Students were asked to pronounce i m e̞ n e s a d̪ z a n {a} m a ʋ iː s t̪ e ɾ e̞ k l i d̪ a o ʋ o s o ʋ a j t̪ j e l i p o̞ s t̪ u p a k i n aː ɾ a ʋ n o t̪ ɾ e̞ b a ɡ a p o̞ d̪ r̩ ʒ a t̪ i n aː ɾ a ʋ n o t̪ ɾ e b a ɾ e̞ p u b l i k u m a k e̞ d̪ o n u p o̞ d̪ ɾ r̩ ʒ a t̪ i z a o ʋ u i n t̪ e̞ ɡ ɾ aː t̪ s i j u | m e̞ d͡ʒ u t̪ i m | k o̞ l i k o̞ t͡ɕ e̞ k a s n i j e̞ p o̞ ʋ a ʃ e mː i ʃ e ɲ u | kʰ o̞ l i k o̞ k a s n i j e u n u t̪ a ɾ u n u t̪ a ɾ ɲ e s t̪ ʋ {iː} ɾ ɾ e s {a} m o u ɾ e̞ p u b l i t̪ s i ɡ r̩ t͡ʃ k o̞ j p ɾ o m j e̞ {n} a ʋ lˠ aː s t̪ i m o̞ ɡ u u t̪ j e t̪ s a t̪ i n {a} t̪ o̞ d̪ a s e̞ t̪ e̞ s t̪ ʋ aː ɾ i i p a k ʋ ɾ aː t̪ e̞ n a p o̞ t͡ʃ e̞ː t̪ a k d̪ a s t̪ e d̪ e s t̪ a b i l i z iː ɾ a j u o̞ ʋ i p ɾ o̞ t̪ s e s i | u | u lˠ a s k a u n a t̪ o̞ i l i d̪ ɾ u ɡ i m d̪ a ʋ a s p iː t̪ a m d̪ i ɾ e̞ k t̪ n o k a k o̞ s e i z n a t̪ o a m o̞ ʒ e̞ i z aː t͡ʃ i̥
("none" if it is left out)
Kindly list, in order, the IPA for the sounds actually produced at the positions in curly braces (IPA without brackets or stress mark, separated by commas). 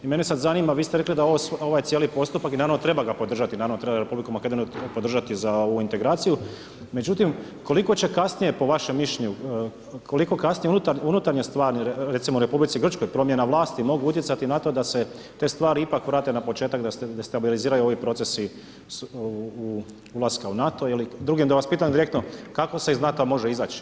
i, aː, i, n, a